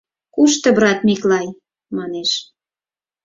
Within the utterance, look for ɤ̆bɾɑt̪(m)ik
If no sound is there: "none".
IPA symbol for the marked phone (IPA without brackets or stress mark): m